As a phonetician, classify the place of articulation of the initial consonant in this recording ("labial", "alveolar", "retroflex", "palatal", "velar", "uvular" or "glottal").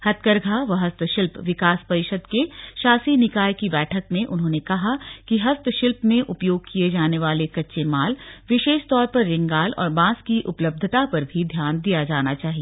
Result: glottal